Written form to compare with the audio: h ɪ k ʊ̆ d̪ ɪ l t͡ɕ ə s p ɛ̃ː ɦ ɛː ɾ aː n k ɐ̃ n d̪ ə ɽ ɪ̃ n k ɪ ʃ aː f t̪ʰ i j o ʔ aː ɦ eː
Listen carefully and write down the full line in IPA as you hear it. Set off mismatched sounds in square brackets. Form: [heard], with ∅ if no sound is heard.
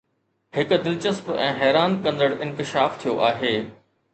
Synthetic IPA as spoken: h ɪ k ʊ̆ d̪ ɪ l t͡ɕ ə s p ɛ̃ː ɦ ɛː ɾ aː n k ɐ̃ n d̪ ə ɽ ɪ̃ n k ɪ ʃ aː f t̪ʰ i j o ʔ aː ɦ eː